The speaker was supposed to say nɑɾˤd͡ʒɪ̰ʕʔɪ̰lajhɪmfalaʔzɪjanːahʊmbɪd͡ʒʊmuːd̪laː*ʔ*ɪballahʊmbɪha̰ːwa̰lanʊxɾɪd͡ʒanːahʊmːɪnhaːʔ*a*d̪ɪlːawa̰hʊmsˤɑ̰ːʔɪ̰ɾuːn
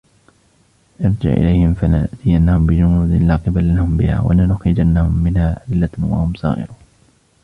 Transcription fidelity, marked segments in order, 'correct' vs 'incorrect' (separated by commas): incorrect, correct